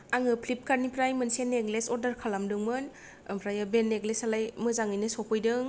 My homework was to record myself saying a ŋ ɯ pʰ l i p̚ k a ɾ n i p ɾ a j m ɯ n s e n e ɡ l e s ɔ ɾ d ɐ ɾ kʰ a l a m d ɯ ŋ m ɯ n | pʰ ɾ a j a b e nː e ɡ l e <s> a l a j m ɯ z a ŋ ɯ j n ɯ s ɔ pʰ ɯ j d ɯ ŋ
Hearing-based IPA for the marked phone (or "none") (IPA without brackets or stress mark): s